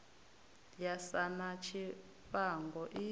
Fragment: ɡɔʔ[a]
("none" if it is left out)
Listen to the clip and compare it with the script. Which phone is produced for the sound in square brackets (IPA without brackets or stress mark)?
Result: i